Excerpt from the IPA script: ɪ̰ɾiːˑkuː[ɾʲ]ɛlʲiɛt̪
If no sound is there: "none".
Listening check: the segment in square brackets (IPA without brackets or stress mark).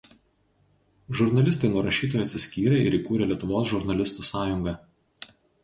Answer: ɾʲ